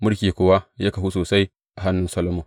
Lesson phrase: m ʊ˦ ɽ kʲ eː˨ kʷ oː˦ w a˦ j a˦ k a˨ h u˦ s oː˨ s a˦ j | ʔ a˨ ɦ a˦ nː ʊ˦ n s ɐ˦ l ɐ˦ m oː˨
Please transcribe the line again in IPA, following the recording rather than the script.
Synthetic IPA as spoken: m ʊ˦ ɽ kʲ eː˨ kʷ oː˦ w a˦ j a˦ k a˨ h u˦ s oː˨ s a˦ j | ʔ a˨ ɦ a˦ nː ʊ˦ n s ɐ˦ l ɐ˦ m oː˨

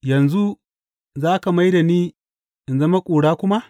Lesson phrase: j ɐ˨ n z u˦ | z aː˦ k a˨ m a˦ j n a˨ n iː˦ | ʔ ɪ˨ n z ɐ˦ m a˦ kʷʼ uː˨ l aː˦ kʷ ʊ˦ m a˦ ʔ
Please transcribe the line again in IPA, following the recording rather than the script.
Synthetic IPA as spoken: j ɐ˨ n z u˦ | z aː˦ k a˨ m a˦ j d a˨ n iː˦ | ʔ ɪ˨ n z ɐ˦ m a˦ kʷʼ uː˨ ɽ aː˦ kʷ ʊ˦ m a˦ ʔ

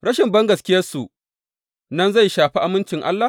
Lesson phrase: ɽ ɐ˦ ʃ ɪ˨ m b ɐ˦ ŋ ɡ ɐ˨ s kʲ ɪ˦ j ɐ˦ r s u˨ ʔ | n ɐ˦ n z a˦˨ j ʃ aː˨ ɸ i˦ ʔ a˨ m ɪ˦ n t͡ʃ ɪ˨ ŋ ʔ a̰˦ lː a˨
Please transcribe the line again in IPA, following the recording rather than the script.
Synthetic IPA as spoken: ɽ ɐ˦ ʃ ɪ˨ m b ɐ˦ ŋ ɡ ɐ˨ s kʲ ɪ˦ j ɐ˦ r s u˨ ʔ | n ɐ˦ n z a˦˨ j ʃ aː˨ ɸ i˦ ʔ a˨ m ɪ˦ n t͡ʃ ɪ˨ ŋ ʔ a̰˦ lː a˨

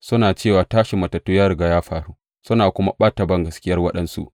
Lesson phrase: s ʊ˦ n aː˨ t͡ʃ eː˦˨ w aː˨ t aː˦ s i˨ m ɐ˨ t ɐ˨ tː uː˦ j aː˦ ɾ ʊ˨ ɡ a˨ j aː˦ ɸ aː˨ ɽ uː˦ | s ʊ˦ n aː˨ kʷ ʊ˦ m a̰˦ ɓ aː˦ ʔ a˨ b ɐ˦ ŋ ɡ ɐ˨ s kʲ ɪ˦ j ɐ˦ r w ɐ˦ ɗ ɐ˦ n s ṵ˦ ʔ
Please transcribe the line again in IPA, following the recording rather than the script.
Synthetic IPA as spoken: s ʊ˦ n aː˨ t͡ʃ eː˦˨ w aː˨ t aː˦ ʃ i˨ m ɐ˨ t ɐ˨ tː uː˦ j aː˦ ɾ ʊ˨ ɡ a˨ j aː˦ ɸ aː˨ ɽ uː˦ | s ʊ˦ n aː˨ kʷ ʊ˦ m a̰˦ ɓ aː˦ t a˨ b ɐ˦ ŋ ɡ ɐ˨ s kʲ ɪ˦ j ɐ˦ r w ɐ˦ ɗ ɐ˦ n s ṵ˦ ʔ

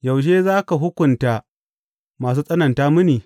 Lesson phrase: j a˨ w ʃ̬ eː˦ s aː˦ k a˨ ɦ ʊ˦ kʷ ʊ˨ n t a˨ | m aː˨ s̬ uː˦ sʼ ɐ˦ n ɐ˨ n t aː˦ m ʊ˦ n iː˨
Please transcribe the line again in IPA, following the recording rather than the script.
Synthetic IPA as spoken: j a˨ w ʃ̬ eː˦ z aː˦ k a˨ ɦ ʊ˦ kʷ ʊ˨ n t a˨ | m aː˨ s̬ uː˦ sʼ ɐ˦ n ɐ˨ n t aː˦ m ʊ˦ n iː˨

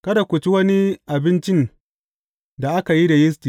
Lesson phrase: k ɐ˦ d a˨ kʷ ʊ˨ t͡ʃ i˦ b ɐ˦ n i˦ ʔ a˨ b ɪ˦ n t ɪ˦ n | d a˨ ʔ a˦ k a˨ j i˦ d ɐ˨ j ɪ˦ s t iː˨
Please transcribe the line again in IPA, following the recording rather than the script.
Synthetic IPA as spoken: k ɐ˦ d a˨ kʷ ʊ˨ t͡ʃ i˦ w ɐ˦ n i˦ ʔ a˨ b ɪ˦ n t͡ʃ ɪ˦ n | d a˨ ʔ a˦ k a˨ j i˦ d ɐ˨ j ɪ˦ s t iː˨

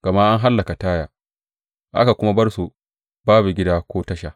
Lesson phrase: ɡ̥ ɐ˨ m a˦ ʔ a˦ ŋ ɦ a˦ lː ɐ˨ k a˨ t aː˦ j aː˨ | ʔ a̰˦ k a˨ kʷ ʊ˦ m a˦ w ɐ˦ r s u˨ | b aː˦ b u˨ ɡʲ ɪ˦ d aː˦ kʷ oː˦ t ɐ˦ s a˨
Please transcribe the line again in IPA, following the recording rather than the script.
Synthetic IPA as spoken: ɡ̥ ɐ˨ m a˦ ʔ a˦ ŋ ɦ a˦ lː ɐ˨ k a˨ t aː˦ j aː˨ | ʔ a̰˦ k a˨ kʷ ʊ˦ m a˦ b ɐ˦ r s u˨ | b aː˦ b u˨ ɡʲ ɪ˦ d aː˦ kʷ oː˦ t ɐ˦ ʃ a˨

